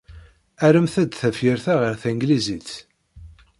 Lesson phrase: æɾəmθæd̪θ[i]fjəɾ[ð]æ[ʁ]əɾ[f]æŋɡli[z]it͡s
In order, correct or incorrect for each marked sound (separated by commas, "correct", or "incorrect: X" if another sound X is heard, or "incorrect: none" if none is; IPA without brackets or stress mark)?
incorrect: æ, incorrect: θ, correct, incorrect: θ, correct